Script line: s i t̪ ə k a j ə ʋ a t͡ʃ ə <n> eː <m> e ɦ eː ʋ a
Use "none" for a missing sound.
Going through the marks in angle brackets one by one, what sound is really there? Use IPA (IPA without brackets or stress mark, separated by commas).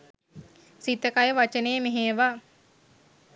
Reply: n, m